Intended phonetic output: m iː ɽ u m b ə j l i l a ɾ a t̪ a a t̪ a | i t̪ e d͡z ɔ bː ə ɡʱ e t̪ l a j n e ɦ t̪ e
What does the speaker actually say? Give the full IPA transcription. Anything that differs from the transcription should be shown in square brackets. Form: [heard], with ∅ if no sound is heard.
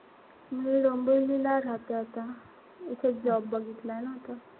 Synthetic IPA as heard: m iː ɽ [o] m b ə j l i l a ɾ a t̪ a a t̪ a | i [t̪ʰ] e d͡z ɔ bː ə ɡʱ [i] t̪ l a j n [a] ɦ t̪ [a]